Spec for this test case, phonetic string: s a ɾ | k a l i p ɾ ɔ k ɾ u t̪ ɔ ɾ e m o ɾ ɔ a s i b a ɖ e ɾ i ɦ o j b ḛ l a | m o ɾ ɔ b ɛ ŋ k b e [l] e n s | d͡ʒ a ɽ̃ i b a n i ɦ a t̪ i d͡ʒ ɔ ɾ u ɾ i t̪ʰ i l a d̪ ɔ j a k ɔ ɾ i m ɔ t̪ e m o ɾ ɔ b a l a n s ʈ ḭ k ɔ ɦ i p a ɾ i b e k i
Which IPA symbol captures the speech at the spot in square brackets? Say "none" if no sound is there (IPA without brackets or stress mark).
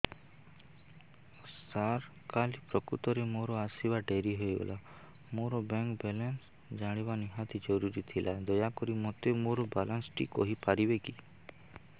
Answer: l